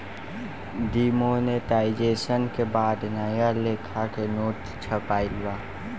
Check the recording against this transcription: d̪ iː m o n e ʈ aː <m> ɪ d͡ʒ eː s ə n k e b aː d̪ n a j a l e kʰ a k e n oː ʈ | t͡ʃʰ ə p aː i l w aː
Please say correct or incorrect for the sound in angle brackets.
incorrect: none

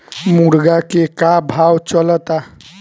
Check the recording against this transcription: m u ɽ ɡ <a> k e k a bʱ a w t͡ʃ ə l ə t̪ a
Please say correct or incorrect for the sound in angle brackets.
correct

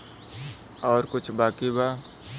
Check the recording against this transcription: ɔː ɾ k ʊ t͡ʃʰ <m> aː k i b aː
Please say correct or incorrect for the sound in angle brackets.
incorrect: b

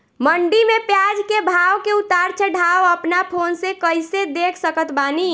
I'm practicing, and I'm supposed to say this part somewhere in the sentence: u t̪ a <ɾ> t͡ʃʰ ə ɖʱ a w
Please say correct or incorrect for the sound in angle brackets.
correct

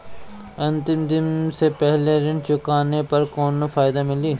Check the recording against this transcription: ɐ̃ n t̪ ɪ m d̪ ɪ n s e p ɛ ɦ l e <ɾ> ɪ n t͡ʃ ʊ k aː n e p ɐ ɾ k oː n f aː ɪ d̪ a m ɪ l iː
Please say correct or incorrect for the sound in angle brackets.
correct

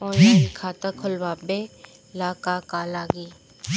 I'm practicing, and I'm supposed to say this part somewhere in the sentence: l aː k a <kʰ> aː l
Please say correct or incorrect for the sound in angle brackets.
incorrect: k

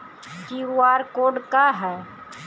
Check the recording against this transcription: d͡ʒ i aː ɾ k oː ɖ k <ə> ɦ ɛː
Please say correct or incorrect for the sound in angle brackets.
incorrect: a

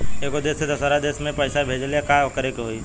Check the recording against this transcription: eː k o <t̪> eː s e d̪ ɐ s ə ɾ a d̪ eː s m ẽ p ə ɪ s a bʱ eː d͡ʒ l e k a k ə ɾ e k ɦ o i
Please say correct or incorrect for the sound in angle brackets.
incorrect: d̪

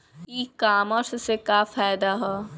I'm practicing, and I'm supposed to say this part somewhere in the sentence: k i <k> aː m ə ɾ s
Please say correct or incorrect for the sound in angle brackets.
correct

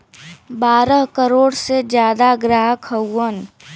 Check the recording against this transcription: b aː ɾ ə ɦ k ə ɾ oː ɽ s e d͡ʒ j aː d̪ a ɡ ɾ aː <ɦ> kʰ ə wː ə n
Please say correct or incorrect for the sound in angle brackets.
correct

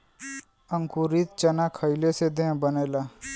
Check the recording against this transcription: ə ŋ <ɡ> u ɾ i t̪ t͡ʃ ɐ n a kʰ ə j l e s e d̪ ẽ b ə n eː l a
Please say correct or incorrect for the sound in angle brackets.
incorrect: k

